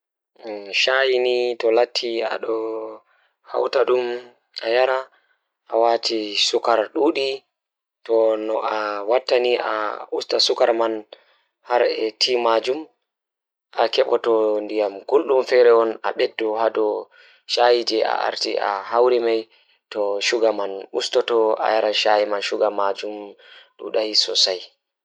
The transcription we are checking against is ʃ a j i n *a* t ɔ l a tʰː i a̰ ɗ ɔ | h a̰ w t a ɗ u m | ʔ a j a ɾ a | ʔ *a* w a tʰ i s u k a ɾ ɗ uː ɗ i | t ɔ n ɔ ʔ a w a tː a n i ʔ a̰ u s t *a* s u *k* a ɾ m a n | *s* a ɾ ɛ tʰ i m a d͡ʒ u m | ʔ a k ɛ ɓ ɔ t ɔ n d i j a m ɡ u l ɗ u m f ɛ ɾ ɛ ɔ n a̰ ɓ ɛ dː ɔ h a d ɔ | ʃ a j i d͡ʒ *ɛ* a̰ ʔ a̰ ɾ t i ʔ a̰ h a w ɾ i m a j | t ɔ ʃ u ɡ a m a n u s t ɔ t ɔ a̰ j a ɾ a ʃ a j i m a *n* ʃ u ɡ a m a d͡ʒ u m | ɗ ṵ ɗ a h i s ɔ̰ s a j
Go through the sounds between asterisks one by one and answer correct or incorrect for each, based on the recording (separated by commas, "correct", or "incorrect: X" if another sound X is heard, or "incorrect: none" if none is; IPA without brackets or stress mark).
incorrect: i, correct, correct, correct, incorrect: h, correct, correct